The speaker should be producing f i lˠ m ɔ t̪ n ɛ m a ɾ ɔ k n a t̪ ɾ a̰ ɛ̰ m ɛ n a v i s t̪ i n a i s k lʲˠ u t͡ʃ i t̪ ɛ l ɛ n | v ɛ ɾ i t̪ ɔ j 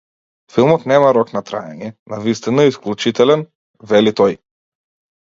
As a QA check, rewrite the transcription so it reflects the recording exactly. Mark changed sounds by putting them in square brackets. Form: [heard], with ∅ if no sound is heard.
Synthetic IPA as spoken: f i lˠ m ɔ t̪ n ɛ m a ɾ ɔ k n a t̪ ɾ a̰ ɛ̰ [ɲ] ɛ n a v i s t̪ i n a i s k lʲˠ u t͡ʃ i t̪ ɛ l ɛ n | v ɛ [l] i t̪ ɔ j